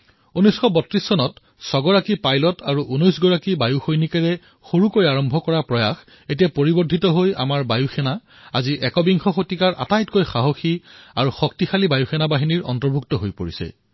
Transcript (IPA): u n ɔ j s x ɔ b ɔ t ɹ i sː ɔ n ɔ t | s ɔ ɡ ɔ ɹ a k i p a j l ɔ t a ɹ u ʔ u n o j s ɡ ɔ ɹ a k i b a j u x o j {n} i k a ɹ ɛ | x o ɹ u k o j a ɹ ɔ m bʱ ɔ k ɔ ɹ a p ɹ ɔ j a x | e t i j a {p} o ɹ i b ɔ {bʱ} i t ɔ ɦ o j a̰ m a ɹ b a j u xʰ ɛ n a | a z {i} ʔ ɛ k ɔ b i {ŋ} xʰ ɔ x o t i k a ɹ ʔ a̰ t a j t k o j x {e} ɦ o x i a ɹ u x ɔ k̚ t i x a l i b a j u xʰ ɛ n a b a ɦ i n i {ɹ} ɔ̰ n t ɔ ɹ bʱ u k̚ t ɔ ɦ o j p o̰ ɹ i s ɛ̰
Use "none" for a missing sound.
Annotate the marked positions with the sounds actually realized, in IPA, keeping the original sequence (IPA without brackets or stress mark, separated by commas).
n, p, dʱ, i, ŋ, a, ɹ